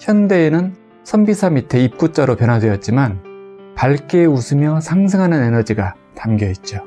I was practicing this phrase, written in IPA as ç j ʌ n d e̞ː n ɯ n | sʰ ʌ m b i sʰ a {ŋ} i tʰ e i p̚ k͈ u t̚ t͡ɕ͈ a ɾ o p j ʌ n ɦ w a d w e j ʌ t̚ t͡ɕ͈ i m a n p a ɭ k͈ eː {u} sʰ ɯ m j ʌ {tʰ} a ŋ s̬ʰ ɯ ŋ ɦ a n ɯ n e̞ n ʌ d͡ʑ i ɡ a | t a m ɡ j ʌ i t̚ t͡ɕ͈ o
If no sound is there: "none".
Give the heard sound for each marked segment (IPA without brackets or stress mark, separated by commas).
m, u, sʰ